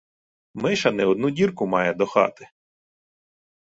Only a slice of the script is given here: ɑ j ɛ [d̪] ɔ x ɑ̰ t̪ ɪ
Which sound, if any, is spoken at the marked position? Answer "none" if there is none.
d̪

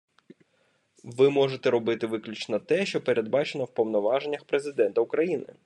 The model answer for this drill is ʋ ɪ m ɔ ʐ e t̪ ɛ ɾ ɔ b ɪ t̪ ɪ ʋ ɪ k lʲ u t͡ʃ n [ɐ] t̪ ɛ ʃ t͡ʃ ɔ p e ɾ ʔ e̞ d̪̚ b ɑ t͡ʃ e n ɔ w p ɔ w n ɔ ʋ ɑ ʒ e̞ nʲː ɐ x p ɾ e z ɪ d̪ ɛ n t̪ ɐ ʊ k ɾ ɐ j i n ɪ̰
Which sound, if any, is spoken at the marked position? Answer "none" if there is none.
ɐ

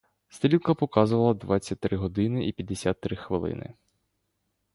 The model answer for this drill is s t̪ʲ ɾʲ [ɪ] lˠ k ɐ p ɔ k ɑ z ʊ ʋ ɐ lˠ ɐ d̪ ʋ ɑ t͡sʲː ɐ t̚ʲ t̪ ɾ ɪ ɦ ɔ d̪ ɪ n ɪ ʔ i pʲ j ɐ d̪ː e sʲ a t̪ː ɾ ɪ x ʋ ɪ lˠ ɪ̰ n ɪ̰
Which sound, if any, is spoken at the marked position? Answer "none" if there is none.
i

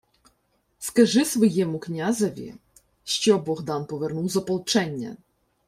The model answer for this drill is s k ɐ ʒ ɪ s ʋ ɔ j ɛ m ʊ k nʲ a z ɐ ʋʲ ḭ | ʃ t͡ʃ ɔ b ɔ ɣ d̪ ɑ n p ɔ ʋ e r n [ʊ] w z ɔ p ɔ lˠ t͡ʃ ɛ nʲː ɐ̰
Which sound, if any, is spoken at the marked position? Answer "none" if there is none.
u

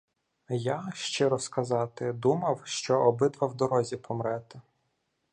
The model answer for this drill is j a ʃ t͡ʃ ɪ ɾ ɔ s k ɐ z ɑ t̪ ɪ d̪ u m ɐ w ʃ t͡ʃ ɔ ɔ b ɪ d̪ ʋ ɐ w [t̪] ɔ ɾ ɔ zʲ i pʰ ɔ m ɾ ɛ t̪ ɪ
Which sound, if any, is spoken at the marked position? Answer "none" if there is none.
d̪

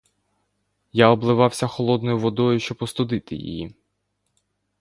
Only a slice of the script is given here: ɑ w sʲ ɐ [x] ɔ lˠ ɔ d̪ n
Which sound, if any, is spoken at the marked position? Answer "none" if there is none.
x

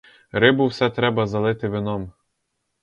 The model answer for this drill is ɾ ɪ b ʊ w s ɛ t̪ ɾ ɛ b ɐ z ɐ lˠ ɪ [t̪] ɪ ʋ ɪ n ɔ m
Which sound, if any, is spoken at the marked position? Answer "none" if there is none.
t̪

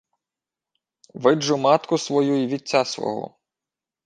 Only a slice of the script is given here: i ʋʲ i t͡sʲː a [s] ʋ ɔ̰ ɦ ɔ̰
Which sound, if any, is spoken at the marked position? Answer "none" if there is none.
s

